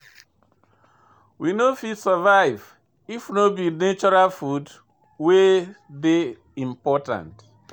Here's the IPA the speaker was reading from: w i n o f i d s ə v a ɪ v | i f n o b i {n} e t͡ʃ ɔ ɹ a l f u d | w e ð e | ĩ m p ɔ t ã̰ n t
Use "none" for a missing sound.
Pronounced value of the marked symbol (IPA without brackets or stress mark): n